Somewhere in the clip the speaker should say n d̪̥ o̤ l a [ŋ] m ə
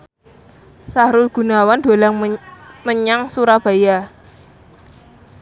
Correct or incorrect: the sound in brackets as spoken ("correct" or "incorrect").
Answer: correct